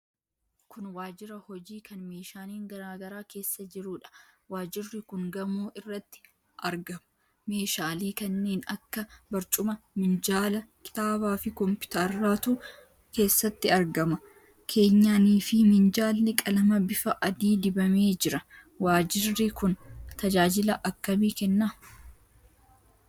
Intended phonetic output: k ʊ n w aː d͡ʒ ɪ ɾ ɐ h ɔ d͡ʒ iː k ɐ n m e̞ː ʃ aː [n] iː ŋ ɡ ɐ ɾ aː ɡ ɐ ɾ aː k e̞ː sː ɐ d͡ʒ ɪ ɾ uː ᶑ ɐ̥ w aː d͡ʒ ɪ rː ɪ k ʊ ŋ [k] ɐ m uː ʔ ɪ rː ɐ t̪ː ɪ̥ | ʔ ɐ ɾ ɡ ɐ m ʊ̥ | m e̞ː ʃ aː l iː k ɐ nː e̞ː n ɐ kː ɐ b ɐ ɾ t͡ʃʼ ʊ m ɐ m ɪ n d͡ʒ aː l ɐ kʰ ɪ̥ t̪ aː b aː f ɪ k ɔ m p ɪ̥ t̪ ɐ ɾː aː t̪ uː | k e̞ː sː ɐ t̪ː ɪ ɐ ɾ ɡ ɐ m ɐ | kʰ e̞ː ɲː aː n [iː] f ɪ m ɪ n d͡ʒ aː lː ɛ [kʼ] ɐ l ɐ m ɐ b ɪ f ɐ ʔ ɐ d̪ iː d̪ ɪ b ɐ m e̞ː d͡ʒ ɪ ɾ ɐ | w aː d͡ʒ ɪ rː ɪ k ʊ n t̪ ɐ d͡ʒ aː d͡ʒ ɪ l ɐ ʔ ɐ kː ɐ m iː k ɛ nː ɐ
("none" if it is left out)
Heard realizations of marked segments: n, ɡ, iː, kʼ

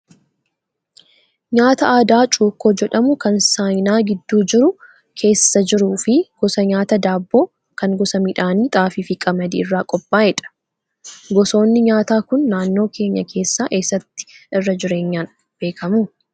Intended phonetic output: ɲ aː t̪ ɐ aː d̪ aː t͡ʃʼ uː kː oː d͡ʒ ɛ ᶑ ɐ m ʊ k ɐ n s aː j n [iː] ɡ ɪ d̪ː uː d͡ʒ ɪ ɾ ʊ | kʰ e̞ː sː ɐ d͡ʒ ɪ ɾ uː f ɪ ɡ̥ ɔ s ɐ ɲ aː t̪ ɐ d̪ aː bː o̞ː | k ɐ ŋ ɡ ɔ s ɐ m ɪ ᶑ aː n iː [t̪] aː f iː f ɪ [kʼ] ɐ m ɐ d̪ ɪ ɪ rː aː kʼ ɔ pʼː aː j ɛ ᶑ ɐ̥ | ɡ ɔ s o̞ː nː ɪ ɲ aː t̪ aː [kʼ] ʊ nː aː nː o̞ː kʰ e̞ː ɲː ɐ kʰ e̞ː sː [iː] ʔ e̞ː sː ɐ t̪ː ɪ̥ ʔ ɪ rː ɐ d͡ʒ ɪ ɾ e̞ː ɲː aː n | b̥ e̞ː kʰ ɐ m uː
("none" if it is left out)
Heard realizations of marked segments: aː, t̪ʼ, kʼ, k, aː

